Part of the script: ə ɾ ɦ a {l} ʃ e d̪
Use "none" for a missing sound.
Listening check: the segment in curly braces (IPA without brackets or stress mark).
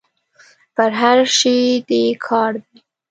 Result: ɾ